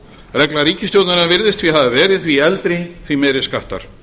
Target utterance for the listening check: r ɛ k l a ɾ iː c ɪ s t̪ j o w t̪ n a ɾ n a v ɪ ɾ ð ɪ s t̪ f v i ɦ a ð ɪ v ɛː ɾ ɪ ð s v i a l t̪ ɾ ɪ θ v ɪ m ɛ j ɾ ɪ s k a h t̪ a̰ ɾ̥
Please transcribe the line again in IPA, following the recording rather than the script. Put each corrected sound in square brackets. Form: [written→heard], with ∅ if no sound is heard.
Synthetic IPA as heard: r ɛ k l a ɾ iː c ɪ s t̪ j o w t̪ n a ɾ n a v ɪ ɾ ð ɪ s t̪ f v i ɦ a ð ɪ v ɛː ɾ ɪ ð [s→θ] v i [a→ɛ] l t̪ ɾ ɪ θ v [ɪ→i] m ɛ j ɾ ɪ s k a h t̪ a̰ ɾ̥

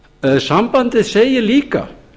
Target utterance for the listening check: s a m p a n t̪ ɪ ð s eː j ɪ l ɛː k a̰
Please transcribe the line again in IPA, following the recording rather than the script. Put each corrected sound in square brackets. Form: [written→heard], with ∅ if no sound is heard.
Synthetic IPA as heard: s a m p a n t̪ ɪ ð s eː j ɪ l [ɛː→iː] k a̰

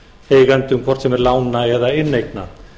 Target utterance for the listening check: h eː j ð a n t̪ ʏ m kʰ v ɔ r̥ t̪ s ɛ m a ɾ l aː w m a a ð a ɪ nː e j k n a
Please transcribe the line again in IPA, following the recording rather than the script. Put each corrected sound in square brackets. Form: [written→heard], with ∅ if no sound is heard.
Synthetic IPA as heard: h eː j [ð→ɣ] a n t̪ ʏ m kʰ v ɔ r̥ t̪ s ɛ m [a→ɛ] ɾ l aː w [m→n] a [a→ɛ] ð a ɪ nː e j k n a

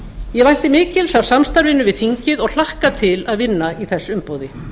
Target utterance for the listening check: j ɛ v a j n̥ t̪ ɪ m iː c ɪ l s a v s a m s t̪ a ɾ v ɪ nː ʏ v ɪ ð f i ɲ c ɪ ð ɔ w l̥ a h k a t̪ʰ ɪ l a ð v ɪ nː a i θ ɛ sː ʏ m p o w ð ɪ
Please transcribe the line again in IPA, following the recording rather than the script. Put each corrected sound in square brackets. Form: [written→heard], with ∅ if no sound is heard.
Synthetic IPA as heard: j ɛ v a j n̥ t̪ ɪ m [iː→ɪː] c ɪ l s a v s a m s t̪ a ɾ v ɪ nː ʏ v ɪ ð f i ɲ c ɪ ð ɔ [w→ɣ] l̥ a h k a t̪ʰ ɪ l a ð v ɪ nː a i θ ɛ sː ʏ m p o w ð ɪ

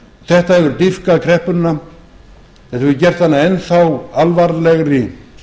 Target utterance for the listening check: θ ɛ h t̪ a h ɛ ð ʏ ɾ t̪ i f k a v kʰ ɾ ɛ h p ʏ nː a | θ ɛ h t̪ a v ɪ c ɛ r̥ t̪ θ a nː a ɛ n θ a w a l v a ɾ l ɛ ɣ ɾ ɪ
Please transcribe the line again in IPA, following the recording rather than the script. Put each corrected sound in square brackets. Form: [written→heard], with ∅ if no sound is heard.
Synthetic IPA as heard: θ ɛ h t̪ a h ɛ [ð→v] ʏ ɾ t̪ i f k a [v→ð] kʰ ɾ ɛ h p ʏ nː a | θ ɛ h t̪ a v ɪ c ɛ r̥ t̪ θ a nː a ɛ n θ a w a l v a ɾ l ɛ ɣ ɾ ɪ

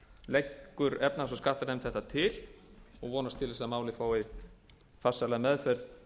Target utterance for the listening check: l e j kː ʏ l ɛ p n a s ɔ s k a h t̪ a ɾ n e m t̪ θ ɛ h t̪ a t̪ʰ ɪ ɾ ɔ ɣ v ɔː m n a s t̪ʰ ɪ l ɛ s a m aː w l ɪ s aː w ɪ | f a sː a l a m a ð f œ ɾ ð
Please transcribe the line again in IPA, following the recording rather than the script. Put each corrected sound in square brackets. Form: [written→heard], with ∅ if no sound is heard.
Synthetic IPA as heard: l e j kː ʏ [l→ɾ] ɛ p n a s ɔ s k a h t̪ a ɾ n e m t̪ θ ɛ h t̪ a t̪ʰ ɪ [ɾ→l] ɔ ɣ v ɔː [m→∅] n a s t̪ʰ ɪ l ɛ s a m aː w l ɪ [s→f] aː w ɪ | f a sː a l a m [a→ɛ] ð f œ ɾ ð

